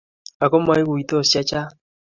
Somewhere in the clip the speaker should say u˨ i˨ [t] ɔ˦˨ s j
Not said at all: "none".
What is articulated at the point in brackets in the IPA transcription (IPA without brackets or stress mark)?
t